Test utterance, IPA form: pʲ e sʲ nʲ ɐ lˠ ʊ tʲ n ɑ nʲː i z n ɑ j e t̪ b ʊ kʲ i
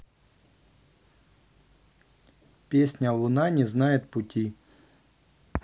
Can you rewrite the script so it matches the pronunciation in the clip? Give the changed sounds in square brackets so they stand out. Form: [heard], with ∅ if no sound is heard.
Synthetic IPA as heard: pʲ e sʲ nʲ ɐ lˠ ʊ [∅] n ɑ [nʲ] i z n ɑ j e t̪ [p] ʊ [tʲ] i